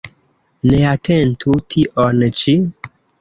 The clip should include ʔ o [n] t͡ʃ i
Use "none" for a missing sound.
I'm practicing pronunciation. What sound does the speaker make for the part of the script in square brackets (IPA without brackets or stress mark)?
n